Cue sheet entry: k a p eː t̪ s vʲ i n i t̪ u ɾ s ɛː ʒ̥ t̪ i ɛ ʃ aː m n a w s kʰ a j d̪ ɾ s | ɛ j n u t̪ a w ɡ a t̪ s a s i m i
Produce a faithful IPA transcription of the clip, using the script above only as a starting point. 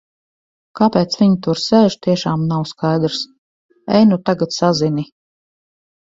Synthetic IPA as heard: k a p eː t̪ s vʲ i ɲ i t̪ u ɾ s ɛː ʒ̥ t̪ i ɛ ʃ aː m n a w s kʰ a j d̪ ɾ s | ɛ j n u t̪ a ɡ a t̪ s a z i n i